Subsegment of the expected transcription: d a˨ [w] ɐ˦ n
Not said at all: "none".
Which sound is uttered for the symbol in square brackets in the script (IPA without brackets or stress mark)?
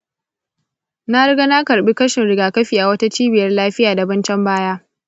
b